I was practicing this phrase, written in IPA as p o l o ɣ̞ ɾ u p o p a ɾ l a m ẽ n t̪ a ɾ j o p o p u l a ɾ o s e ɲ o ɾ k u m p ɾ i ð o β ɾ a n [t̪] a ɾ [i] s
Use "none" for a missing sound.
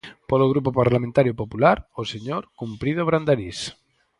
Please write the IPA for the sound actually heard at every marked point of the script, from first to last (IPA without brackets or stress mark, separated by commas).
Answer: d̪, i